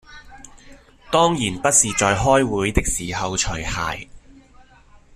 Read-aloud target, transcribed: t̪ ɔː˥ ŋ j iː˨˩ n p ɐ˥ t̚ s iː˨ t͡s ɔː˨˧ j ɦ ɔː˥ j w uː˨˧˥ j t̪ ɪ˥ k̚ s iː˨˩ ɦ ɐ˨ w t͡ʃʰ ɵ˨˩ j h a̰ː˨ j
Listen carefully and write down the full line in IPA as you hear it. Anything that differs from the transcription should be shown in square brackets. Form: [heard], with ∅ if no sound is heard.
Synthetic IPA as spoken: t̪ ɔː˥ ŋ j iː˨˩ n p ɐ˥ t̚ s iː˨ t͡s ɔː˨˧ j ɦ ɔː˥ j w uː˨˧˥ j t̪ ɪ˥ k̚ s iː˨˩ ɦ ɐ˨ w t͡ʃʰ ɵ˨˩ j h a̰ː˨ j